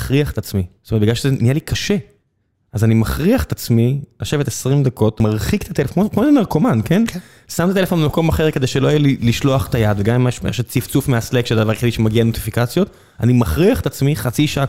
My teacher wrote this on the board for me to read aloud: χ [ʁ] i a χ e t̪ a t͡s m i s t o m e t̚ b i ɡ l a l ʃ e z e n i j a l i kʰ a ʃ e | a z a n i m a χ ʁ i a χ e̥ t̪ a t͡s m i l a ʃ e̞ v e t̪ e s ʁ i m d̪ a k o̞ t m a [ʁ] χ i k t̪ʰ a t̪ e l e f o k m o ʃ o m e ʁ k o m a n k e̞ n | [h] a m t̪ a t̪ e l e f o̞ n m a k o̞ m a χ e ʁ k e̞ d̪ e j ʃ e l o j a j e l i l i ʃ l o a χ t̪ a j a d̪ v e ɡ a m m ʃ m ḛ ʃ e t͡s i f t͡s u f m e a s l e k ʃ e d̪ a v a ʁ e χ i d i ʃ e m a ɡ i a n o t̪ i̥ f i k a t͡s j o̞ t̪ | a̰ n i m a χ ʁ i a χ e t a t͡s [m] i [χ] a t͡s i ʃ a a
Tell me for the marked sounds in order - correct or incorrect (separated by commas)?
correct, correct, incorrect, correct, correct